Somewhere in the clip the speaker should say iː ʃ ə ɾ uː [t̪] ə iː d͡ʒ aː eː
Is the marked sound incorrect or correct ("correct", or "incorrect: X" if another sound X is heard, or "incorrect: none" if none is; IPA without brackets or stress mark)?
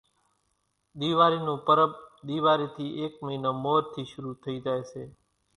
incorrect: t̪ʰ